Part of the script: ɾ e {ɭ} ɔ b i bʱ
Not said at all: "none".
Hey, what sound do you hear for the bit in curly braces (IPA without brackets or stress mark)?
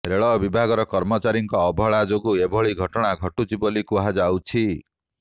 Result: ɭ